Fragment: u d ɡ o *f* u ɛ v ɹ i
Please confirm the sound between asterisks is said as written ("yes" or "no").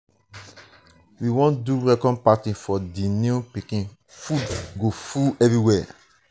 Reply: yes